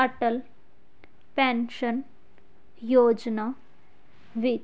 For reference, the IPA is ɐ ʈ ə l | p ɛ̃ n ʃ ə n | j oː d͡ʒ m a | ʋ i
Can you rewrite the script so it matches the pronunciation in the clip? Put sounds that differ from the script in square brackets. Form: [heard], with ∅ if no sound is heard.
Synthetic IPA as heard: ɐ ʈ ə l | p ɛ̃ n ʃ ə n | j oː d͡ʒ [n] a | ʋ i